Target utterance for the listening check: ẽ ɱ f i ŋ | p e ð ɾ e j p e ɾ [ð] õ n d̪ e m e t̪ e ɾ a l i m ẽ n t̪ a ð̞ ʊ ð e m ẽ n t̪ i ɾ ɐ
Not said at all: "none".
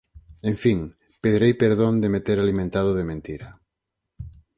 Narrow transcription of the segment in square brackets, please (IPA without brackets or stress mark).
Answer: ð